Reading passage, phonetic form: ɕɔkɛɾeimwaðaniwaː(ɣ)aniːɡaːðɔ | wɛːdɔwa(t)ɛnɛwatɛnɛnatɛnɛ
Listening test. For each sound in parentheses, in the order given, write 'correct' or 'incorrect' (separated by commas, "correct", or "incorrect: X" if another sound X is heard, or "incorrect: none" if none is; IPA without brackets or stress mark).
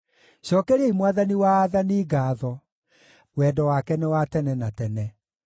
incorrect: ð, incorrect: k